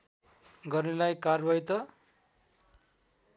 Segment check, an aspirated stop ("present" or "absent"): absent